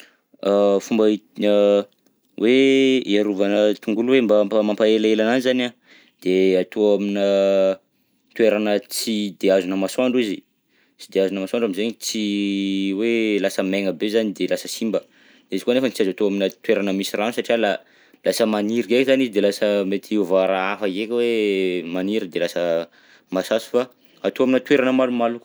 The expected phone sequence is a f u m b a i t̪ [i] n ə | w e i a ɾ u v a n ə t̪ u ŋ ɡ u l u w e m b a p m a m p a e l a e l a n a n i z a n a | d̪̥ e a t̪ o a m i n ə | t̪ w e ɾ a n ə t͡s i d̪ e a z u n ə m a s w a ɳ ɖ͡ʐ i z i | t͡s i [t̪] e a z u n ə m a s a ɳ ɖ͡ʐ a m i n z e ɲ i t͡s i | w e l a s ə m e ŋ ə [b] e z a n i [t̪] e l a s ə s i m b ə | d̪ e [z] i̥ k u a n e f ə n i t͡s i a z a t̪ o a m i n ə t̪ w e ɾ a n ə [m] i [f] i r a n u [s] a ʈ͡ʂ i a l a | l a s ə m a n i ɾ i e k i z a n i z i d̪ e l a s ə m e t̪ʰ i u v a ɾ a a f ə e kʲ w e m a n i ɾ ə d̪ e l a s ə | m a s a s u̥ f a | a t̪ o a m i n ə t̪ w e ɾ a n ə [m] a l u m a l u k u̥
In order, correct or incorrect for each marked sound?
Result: correct, incorrect, correct, incorrect, correct, correct, incorrect, correct, correct

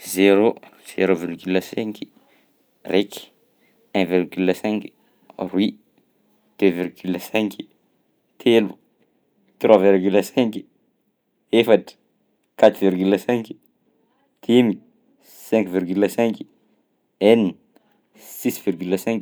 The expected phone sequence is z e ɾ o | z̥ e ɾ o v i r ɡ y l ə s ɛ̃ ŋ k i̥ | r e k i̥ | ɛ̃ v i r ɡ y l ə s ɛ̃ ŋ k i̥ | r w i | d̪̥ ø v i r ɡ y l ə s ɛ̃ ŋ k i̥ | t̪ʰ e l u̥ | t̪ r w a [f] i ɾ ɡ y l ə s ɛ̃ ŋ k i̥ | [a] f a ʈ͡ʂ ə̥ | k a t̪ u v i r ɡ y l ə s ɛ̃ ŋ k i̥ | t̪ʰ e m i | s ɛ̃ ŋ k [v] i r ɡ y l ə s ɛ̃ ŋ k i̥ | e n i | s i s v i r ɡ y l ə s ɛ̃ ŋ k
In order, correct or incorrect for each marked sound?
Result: incorrect, incorrect, correct

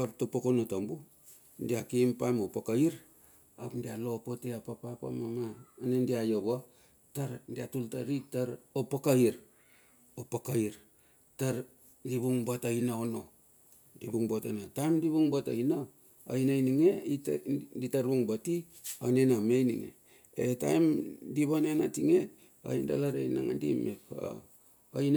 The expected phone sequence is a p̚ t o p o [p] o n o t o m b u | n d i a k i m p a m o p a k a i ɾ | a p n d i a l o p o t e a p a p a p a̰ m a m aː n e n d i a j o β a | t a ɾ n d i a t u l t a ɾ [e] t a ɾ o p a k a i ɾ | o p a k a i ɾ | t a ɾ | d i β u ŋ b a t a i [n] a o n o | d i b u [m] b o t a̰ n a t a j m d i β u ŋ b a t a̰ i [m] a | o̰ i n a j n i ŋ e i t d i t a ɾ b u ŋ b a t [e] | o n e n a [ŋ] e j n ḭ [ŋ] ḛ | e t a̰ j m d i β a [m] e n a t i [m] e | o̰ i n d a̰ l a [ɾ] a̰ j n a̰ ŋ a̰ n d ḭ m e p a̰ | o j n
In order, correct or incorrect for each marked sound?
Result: incorrect, incorrect, correct, incorrect, incorrect, incorrect, incorrect, correct, incorrect, incorrect, correct

